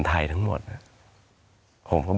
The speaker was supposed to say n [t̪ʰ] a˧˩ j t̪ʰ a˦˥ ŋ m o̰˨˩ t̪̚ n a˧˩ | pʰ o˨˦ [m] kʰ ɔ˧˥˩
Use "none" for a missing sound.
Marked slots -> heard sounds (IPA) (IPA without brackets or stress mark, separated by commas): t̪ʰ, m